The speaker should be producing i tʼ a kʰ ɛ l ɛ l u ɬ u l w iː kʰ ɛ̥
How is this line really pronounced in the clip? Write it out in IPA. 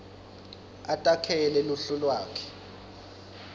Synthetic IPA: a tʼ a kʰ ɛ l ɛ l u ɬ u l w aː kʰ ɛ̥